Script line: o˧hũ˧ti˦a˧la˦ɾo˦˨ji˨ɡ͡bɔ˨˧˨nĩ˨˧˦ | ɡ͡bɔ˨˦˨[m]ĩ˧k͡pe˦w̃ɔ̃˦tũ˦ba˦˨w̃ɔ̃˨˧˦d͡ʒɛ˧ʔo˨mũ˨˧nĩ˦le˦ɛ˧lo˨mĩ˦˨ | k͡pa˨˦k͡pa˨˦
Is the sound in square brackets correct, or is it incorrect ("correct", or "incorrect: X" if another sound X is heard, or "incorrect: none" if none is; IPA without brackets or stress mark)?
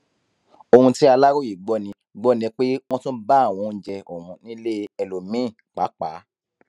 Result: incorrect: n